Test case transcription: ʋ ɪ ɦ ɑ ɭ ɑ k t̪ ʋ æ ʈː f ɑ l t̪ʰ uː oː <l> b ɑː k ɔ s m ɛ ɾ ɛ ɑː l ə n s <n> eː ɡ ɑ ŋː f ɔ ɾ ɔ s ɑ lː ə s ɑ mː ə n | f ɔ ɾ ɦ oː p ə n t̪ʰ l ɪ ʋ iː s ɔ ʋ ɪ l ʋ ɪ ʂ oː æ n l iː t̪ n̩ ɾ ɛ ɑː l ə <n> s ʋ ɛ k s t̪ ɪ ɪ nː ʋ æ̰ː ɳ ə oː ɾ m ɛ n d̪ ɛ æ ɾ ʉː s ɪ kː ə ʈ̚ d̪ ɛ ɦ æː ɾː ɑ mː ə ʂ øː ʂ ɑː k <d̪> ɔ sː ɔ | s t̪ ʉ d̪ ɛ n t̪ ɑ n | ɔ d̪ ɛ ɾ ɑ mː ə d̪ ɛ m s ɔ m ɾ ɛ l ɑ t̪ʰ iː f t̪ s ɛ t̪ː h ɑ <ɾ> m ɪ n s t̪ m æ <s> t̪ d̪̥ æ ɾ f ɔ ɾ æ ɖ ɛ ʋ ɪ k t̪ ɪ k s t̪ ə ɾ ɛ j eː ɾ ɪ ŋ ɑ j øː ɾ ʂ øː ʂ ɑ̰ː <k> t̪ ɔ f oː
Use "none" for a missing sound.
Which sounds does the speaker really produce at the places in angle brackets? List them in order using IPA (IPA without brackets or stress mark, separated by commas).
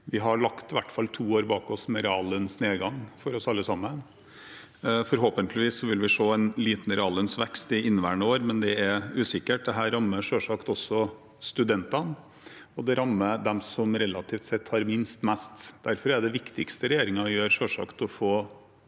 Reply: ɾ, n, n, t̪, ɾ, s, k